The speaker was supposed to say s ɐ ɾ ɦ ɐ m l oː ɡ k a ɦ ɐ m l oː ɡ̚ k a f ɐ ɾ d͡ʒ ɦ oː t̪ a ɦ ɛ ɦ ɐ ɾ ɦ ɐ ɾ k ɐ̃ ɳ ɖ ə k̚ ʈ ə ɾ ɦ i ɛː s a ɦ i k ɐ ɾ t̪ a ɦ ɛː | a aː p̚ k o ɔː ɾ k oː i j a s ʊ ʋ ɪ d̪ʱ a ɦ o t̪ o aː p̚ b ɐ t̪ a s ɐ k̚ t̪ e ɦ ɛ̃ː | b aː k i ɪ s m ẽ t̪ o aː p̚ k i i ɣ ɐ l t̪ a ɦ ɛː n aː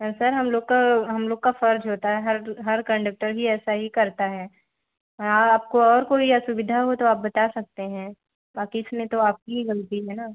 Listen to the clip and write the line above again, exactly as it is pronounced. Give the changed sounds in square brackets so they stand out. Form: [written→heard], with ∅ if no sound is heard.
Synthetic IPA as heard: s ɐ ɾ ɦ ɐ m l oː ɡ k a ɦ ɐ m l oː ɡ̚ k a f ɐ ɾ d͡ʒ ɦ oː t̪ a ɦ ɛ ɦ ɐ ɾ ɦ ɐ ɾ k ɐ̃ ɳ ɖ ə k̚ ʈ ə ɾ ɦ i ɛː s a ɦ i k ɐ ɾ t̪ a ɦ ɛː | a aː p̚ k o ɔː ɾ k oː i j a s ʊ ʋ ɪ d̪ʱ a ɦ o t̪ o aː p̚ b ɐ t̪ a s ɐ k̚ t̪ e ɦ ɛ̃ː | b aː k i ɪ s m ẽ t̪ o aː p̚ k i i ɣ ɐ l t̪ [a→i] ɦ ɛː n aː